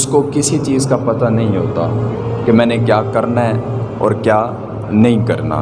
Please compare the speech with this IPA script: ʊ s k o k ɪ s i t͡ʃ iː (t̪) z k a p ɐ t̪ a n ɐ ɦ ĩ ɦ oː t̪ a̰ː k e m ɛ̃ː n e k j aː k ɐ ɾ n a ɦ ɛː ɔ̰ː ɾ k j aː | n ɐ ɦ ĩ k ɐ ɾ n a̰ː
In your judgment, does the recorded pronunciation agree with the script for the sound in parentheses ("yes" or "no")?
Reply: no